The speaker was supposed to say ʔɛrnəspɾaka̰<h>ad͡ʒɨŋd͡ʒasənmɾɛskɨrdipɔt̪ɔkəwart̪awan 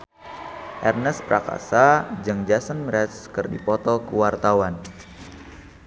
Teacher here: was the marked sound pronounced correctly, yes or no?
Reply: no